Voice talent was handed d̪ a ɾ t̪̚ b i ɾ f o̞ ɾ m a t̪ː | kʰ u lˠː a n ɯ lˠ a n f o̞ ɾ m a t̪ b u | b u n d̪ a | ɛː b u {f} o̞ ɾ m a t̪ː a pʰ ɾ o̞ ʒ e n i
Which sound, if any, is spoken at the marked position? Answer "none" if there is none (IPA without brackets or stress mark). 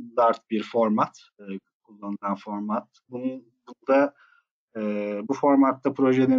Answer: f